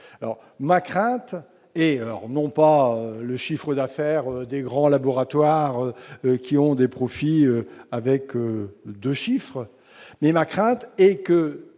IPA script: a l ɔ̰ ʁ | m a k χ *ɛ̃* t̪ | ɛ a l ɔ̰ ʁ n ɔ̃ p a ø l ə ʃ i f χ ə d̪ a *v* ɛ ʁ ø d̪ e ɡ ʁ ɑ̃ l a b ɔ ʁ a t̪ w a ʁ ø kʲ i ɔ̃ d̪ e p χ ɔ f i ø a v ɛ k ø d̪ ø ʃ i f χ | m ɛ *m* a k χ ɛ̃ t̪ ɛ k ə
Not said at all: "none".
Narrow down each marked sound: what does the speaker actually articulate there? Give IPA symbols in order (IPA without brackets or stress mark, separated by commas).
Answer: ɛ̃, f, m